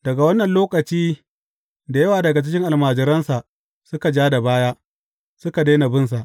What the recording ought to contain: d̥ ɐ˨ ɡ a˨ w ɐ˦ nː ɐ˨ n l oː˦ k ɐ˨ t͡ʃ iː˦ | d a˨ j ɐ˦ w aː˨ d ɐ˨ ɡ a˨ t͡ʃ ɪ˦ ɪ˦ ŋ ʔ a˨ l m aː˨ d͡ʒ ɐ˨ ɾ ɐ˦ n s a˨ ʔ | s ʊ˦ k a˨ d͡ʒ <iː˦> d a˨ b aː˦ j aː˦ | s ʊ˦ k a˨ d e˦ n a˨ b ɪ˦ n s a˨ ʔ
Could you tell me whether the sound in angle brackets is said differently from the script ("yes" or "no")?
yes